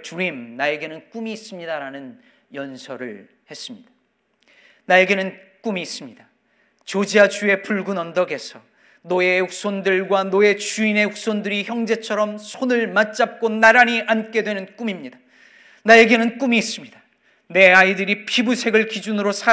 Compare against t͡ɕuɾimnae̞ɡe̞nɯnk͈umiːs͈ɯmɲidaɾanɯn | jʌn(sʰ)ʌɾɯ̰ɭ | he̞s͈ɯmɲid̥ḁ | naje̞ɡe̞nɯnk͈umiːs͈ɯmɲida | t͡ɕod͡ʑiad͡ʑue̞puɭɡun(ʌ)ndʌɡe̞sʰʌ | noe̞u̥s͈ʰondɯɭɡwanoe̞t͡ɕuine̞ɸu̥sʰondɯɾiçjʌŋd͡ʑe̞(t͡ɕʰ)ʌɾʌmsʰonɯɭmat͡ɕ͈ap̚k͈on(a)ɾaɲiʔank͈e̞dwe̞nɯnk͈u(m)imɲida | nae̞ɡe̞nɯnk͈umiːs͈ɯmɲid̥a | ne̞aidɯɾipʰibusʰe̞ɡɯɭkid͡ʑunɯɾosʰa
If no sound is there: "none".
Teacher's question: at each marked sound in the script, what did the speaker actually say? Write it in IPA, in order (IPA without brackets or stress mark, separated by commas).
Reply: sʰ, ʌ, t͡ɕʰ, a, m